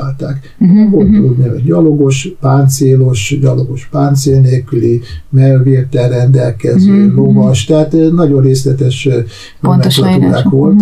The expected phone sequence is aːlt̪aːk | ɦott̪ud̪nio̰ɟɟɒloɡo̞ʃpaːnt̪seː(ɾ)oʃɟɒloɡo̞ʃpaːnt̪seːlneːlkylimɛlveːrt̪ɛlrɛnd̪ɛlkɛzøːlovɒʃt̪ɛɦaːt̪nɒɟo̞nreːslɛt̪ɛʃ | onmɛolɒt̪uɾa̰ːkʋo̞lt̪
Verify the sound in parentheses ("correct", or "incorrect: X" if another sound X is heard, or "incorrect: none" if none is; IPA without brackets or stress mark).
incorrect: l